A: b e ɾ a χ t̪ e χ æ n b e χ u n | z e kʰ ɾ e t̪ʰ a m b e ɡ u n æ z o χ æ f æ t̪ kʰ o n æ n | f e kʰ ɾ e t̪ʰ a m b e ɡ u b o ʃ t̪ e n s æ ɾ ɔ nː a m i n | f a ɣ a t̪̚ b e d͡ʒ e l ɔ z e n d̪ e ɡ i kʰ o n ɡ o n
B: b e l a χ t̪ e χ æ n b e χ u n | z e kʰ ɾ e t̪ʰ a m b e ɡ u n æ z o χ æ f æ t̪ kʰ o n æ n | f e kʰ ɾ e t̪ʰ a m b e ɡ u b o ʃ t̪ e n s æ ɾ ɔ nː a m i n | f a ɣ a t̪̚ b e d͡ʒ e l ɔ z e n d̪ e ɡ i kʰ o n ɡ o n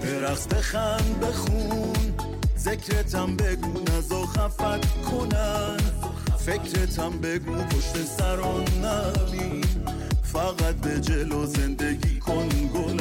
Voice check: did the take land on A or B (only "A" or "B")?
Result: A